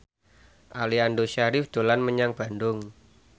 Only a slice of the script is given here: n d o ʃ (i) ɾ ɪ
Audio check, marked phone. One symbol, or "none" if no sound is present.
a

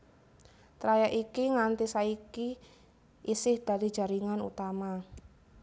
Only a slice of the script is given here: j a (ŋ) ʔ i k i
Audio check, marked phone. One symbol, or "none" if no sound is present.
none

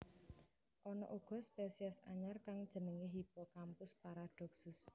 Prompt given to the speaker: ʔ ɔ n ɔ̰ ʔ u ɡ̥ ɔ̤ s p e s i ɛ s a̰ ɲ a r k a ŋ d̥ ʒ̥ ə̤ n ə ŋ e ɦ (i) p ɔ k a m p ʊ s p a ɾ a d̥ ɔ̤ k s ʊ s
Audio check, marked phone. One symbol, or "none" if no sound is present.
i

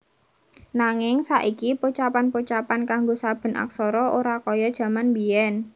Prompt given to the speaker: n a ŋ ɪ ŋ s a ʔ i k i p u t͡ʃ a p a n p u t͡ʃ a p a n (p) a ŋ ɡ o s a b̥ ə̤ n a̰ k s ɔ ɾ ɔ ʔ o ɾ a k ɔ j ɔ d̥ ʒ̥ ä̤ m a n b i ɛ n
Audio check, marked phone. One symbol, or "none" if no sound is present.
k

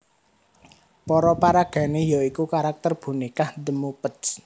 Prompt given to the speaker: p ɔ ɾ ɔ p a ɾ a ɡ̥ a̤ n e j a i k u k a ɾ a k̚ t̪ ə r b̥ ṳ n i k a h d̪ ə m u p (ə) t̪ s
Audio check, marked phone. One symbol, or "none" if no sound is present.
ə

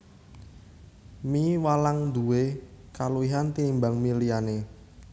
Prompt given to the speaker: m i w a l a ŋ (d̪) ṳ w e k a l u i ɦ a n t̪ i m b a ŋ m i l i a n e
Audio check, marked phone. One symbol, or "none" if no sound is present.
d̪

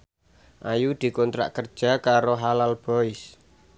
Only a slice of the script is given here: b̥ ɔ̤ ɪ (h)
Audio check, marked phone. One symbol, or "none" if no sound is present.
s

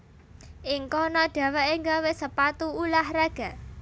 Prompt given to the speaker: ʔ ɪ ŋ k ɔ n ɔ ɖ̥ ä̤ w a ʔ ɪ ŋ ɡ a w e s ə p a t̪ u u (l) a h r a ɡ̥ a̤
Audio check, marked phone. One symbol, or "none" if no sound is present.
l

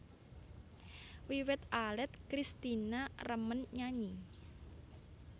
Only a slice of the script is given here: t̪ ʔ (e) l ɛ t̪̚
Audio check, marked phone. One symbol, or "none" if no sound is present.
a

